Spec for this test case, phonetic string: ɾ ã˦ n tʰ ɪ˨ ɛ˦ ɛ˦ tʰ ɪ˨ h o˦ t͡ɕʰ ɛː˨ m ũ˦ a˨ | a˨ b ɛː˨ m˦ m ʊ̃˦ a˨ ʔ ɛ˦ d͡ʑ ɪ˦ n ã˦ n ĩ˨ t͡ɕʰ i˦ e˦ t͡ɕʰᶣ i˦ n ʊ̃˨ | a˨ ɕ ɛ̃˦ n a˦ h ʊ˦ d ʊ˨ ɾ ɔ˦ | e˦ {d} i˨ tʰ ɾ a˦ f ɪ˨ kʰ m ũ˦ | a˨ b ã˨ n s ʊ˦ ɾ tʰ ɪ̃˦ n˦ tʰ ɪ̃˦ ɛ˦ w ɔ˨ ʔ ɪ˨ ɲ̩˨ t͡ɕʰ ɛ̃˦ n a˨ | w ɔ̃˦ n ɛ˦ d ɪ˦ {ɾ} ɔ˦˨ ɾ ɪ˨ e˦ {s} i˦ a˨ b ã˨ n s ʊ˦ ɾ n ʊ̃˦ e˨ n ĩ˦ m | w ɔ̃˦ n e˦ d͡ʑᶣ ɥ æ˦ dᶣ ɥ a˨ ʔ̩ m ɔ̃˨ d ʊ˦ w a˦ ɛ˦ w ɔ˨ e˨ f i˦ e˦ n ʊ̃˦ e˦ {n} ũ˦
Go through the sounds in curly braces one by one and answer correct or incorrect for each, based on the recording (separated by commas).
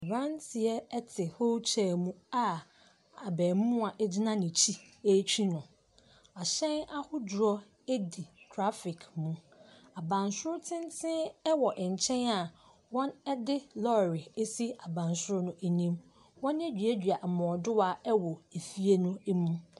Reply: correct, incorrect, correct, incorrect